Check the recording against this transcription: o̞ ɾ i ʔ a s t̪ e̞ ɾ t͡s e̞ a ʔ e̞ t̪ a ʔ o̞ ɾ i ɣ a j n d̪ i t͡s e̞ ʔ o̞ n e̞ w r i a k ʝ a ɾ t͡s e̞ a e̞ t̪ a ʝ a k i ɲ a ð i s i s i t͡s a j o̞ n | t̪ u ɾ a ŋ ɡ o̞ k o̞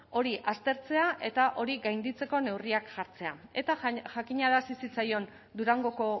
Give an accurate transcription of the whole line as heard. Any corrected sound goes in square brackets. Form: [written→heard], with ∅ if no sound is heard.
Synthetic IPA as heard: o̞ ɾ i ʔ a s t̪ e̞ ɾ t͡s e̞ a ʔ e̞ t̪ a ʔ o̞ ɾ i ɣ a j n d̪ i t͡s e̞ [ʔ→k] o̞ n e̞ w r i a k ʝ a ɾ t͡s e̞ a e̞ t̪ a ʝ a k i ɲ a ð [i→a] s i s i t͡s a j o̞ n | [t̪→d̪] u ɾ a ŋ ɡ o̞ k o̞